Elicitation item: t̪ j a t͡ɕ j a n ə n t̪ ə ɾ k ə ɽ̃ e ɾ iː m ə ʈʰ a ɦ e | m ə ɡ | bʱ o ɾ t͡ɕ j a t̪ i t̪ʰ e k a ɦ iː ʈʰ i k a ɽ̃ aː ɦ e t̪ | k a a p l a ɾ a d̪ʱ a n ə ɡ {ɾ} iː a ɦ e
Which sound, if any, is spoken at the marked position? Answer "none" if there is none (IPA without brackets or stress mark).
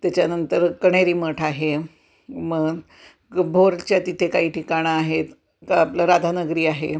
ɾ